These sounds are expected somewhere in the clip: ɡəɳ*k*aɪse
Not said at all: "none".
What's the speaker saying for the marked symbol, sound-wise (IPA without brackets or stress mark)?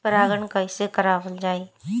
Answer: k